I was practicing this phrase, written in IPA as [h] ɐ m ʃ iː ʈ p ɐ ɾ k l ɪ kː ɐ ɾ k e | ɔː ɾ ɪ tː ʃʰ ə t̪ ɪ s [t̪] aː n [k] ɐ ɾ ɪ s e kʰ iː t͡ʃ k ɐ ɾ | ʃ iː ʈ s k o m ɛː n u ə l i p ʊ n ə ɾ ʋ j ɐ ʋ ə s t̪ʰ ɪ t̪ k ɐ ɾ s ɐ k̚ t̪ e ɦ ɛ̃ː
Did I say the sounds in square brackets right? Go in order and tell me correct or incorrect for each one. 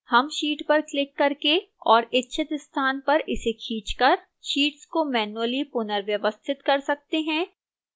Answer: correct, incorrect, incorrect

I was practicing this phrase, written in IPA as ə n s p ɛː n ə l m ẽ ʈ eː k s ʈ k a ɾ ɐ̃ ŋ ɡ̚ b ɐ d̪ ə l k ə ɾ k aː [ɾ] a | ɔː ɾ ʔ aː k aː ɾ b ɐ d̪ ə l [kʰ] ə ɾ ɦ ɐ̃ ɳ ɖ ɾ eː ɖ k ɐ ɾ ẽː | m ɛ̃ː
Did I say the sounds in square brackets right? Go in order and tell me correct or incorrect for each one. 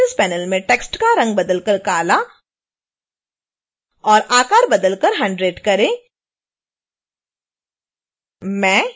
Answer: incorrect, incorrect

